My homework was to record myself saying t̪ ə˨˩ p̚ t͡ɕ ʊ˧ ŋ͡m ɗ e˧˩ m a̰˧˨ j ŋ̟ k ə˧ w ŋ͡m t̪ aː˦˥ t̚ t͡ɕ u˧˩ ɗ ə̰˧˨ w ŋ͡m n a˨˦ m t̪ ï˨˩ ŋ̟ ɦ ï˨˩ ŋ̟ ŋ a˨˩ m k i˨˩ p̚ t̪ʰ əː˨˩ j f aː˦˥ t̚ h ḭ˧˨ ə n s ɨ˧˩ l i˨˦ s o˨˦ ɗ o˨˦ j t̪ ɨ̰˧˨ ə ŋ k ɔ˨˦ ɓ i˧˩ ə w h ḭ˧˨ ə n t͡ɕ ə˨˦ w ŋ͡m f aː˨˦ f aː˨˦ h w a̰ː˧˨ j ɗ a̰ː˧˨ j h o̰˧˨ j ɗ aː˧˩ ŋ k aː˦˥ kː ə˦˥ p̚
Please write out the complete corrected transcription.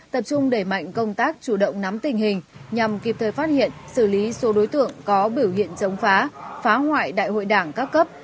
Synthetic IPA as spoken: t̪ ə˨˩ p̚ t͡ɕ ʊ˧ ŋ͡m ɗ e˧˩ m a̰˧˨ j ŋ̟ k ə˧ w ŋ͡m t̪ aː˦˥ k̚ t͡ɕ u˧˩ ɗ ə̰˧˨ w ŋ͡m n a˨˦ m t̪ ï˨˩ ŋ̟ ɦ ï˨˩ ŋ̟ ɲ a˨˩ m k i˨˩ p̚ t̪ʰ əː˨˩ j f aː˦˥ t̚ h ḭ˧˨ ə n s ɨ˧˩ l i˨˦ s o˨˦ ɗ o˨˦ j t̪ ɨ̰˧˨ ə ŋ k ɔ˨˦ ɓ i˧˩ ə w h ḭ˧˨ ə n t͡ɕ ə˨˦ w ŋ͡m f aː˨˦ f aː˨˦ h w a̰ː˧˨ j ɗ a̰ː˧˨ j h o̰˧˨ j ɗ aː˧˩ ŋ k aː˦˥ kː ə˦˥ p̚